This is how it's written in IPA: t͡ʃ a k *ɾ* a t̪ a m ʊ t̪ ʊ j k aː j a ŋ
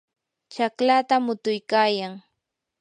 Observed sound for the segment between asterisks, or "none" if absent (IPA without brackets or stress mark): l